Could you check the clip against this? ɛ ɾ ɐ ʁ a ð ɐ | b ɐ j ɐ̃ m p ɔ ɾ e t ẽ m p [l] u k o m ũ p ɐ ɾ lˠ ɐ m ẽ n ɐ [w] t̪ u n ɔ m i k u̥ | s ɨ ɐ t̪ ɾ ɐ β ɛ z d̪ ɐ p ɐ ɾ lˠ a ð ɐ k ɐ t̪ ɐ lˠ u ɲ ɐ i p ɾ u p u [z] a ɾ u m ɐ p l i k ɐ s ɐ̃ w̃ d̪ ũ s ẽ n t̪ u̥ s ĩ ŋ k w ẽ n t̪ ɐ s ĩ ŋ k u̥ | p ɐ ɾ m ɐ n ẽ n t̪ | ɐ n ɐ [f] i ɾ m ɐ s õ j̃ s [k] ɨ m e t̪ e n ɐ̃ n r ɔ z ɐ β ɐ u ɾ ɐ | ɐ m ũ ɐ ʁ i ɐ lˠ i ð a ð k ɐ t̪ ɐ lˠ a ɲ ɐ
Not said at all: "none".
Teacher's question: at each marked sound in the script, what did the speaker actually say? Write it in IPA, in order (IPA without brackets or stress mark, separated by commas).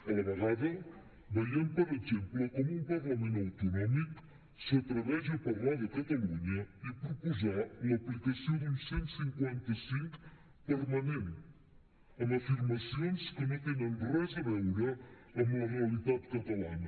l, w, z, f, k